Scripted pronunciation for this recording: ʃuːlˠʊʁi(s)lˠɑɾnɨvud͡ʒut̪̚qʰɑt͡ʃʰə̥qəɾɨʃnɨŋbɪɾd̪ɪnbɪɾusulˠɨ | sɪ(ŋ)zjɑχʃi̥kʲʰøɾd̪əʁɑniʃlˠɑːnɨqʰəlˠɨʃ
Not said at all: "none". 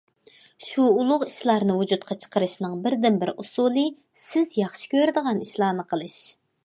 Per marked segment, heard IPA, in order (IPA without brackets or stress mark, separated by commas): ʃ, none